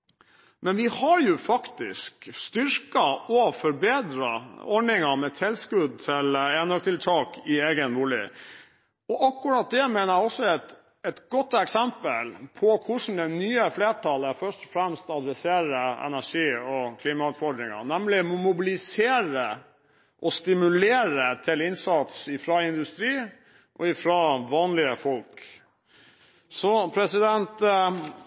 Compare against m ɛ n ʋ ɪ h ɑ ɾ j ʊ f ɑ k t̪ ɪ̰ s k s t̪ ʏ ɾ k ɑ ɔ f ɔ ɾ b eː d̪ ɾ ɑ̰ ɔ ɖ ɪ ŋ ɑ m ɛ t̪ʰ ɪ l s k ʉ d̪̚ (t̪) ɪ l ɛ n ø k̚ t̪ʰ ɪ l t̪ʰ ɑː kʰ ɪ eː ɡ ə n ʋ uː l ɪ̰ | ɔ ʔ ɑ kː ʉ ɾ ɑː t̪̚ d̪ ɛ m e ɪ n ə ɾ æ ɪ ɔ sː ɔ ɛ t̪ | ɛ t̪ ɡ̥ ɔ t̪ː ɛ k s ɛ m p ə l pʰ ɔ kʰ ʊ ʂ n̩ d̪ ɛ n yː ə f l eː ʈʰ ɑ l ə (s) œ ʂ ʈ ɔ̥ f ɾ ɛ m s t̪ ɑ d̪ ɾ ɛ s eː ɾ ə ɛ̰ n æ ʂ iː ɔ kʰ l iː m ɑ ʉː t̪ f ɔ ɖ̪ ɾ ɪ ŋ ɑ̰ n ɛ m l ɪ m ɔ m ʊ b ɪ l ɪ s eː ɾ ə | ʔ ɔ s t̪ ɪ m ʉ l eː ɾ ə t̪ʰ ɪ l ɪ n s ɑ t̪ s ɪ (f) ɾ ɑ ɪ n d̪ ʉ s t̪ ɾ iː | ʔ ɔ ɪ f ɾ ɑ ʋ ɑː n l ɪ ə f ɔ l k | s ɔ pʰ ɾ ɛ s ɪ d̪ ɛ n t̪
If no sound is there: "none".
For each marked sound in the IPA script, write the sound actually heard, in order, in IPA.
t̪ʰ, f, f

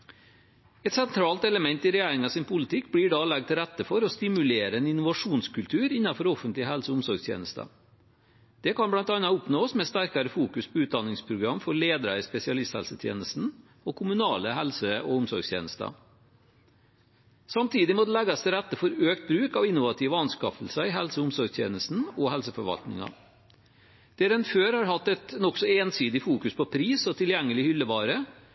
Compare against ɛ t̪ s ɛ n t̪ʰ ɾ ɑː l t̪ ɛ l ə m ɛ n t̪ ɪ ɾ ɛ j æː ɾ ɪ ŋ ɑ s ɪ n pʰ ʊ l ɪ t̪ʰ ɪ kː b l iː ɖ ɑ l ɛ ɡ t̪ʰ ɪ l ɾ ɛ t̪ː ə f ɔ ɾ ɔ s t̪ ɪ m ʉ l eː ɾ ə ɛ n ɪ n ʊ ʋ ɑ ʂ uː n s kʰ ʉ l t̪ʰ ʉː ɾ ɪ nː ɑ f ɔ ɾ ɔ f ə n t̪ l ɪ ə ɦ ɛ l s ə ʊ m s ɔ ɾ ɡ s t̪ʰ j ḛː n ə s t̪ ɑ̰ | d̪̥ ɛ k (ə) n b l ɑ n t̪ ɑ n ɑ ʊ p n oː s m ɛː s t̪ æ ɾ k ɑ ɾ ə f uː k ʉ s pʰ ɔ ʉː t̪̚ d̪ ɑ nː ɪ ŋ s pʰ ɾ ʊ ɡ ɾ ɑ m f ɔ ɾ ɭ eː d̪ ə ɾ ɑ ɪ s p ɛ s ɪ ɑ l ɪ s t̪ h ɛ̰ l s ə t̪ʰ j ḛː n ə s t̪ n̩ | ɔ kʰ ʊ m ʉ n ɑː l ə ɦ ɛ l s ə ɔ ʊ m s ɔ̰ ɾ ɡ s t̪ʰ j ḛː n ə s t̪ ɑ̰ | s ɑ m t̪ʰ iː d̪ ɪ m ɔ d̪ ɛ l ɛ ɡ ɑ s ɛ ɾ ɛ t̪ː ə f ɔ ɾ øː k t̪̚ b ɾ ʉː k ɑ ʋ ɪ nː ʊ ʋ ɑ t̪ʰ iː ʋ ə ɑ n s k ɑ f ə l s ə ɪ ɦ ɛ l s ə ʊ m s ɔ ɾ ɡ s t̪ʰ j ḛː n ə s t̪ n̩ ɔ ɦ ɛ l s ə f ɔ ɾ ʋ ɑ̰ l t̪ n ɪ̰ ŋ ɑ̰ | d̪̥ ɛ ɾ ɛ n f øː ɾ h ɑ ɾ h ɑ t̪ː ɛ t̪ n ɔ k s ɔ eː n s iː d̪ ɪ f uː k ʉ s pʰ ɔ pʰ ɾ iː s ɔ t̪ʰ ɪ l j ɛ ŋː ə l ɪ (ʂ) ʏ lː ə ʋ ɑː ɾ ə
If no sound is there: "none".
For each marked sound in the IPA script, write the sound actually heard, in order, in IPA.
ɑ, h

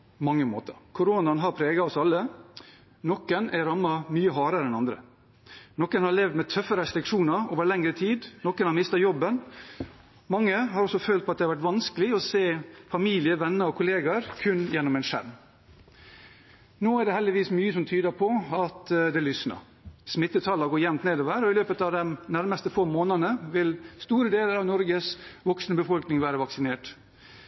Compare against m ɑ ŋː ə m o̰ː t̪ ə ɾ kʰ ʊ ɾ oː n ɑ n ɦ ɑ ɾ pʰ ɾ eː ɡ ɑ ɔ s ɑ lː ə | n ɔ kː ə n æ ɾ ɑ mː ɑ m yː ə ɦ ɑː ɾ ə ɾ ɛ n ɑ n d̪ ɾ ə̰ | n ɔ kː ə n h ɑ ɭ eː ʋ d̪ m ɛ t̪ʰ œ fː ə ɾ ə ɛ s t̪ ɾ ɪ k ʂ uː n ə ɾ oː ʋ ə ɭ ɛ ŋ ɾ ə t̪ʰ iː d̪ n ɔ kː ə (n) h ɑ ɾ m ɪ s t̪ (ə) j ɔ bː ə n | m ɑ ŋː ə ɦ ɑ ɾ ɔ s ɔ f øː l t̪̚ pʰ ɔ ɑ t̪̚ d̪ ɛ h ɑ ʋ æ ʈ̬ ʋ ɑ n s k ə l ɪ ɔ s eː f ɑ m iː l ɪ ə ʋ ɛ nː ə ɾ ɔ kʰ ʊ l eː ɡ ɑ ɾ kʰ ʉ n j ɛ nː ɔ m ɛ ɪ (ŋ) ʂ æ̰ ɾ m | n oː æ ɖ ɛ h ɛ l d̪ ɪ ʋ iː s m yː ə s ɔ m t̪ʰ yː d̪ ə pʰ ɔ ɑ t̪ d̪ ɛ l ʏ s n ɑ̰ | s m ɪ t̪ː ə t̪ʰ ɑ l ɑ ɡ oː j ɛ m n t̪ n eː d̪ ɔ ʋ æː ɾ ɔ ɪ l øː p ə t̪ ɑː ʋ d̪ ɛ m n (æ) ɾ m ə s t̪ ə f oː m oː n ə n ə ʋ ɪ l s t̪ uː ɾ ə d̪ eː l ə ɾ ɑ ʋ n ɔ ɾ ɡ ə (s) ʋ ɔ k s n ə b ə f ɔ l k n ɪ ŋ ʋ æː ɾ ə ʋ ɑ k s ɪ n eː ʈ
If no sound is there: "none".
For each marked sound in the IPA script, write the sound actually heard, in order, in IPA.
n, ɑ, n, æ, s

